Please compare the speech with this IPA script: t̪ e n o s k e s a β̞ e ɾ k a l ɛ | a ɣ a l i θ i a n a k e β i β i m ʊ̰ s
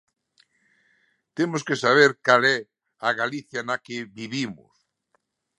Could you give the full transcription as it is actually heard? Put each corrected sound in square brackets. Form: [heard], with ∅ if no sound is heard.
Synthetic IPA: t̪ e [m] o s k e s a β̞ e ɾ k a l ɛ | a ɣ a l i θ [j] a n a k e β i β i m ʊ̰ s